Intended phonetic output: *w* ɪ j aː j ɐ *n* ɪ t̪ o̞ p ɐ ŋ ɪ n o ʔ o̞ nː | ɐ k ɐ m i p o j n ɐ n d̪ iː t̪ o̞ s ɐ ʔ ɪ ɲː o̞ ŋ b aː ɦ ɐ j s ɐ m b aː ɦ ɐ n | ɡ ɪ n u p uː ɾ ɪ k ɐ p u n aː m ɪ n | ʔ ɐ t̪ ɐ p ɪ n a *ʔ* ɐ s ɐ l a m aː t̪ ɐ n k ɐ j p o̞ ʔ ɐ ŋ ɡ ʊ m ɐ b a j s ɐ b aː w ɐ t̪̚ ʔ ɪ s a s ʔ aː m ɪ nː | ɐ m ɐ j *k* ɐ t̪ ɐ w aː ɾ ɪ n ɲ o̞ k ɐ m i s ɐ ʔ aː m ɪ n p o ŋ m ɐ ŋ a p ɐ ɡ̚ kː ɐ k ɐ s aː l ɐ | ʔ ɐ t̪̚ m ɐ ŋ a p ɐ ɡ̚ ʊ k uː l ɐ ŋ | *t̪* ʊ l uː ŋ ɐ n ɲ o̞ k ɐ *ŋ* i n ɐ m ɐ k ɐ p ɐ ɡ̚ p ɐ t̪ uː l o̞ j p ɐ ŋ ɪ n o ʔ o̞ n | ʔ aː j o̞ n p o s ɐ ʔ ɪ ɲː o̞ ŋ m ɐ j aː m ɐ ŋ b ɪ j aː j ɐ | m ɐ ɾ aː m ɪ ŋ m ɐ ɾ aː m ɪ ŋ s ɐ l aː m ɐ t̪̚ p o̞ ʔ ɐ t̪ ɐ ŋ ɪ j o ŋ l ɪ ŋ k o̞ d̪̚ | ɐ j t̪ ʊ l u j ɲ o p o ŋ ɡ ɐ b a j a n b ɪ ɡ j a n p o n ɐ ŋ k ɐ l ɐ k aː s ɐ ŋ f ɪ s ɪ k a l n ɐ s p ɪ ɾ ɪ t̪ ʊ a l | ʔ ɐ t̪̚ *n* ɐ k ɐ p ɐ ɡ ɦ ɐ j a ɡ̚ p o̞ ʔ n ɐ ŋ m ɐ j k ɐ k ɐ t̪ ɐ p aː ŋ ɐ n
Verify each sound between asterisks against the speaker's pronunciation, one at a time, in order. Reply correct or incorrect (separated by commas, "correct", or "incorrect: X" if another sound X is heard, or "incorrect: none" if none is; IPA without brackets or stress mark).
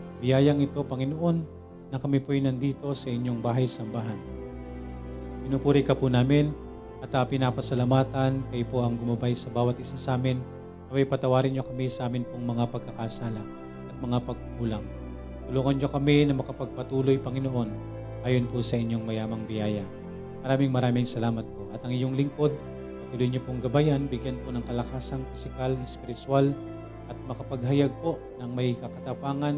incorrect: b, incorrect: ŋ, incorrect: p, incorrect: p, correct, incorrect: m, incorrect: m